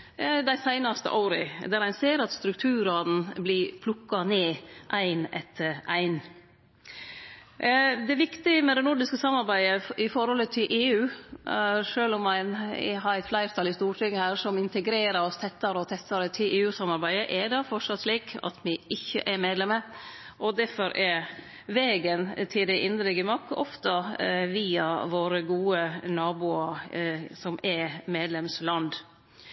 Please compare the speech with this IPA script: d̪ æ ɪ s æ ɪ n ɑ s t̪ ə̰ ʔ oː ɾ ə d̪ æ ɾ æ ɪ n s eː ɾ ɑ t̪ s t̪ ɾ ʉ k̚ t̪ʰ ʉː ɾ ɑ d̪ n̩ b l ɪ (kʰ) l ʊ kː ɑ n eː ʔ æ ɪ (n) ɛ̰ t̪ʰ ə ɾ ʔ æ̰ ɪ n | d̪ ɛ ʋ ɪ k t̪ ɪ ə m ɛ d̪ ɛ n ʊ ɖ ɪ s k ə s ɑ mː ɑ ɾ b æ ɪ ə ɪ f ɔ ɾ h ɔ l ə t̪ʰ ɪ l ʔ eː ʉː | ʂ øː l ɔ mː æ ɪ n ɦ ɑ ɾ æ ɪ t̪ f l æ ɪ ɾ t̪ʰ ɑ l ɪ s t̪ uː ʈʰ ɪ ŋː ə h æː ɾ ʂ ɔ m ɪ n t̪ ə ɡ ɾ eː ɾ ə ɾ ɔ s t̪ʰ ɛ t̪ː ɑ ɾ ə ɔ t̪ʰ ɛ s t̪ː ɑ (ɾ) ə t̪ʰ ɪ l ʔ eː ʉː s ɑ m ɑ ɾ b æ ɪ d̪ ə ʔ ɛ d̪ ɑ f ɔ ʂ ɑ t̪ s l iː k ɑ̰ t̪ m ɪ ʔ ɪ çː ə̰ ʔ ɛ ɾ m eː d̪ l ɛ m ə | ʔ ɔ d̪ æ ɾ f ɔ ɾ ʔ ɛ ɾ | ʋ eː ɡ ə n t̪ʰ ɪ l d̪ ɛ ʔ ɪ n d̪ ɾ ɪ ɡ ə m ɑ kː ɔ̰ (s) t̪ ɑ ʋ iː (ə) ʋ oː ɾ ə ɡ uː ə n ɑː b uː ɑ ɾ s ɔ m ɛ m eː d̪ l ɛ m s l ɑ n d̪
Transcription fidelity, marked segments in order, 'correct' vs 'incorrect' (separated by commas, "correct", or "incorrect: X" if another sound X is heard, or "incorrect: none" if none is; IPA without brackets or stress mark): incorrect: pʰ, correct, correct, incorrect: f, incorrect: ɑ